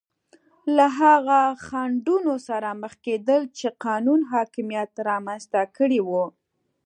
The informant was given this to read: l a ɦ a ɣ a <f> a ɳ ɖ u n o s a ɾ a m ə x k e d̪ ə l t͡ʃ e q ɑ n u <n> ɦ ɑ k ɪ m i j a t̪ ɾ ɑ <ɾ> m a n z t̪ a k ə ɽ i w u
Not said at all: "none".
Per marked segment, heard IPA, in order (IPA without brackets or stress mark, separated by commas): x, n, none